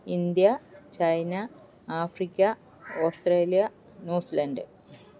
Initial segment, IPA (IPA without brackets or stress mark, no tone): i